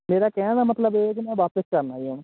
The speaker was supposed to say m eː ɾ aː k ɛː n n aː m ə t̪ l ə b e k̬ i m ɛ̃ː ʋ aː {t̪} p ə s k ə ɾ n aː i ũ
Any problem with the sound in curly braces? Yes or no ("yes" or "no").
yes